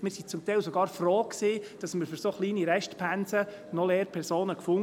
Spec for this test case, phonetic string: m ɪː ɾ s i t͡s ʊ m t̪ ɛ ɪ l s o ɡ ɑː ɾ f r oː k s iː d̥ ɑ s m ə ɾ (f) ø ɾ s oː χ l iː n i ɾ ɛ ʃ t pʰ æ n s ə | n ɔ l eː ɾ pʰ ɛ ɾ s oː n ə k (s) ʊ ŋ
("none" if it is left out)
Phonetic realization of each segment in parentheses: f, f

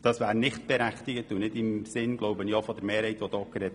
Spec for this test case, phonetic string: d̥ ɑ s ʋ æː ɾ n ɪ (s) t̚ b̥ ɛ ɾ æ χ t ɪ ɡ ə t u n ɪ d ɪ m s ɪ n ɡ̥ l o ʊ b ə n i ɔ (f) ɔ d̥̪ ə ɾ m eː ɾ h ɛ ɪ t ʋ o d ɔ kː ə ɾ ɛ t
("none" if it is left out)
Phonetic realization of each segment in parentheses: χ, f

